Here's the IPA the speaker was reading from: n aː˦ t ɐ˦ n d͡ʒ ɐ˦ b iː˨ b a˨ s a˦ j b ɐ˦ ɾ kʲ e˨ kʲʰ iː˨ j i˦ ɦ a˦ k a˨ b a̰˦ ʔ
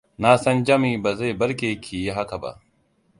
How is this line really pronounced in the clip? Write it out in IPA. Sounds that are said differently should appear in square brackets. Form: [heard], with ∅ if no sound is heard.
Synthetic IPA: n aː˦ [s] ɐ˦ n d͡ʒ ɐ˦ [m] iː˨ b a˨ [z] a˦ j b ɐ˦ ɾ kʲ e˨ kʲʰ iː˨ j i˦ ɦ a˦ k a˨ b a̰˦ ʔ

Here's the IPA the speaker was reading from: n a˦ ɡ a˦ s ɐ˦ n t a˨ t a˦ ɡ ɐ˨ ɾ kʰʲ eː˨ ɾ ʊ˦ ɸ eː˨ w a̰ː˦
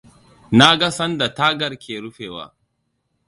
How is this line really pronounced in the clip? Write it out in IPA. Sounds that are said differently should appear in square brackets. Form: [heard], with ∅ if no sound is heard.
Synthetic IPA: n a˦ ɡ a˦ s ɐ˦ n [d] a˨ t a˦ ɡ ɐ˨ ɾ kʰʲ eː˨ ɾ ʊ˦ ɸ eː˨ w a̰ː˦

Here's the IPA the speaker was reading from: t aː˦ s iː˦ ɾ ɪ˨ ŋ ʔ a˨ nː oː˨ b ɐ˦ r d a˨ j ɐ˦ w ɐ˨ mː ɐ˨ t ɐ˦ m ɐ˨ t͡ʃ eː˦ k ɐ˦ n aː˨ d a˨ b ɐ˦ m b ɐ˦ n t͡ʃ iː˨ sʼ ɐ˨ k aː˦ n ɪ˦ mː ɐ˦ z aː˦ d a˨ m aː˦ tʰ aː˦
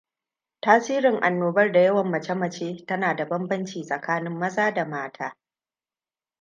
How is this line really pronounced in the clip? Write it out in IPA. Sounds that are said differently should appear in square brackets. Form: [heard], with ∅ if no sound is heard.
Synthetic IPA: t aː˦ s iː˦ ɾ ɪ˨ ŋ ʔ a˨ nː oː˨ b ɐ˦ r d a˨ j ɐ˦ w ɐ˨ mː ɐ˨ [t͡ʃ] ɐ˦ m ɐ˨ t͡ʃ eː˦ [t] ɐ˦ n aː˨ d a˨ b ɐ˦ m b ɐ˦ n t͡ʃ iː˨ sʼ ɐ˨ k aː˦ n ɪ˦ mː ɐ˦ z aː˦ d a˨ m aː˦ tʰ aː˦

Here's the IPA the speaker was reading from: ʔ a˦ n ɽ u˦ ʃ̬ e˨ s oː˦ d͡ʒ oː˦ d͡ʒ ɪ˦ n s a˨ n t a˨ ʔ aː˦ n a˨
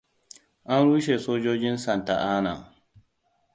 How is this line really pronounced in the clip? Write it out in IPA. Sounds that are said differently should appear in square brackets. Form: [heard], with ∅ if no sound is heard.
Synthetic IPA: ʔ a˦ n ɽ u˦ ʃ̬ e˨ s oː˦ d͡ʒ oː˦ d͡ʒ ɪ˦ n s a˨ n t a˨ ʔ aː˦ n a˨

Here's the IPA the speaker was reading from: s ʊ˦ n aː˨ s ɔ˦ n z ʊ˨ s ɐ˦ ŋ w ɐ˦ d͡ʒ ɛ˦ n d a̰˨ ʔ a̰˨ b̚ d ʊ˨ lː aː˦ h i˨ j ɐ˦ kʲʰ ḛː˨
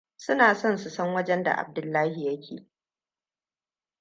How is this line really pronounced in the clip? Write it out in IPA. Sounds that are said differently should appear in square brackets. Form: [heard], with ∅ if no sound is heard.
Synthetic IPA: s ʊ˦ n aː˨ s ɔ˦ n [s] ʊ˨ s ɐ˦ ŋ w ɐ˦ d͡ʒ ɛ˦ n d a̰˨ ʔ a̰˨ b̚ d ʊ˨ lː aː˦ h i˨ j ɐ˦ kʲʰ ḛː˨

